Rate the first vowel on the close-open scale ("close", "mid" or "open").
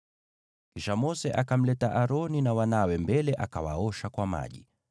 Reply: close